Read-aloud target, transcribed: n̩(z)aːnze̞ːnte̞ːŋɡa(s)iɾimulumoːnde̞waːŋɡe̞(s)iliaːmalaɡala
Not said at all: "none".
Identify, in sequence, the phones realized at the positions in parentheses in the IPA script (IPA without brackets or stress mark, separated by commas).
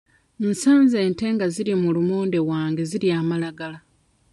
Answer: s, z, z